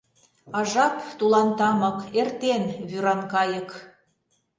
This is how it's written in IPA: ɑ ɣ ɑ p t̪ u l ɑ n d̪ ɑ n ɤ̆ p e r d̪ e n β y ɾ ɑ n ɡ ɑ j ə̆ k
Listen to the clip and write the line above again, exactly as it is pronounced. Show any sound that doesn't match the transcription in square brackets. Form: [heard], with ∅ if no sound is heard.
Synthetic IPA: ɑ [ʒ] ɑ p t̪ u l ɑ n [t̪] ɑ [m] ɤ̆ [k] e r [t̪] e n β y ɾ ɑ n [k] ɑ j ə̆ k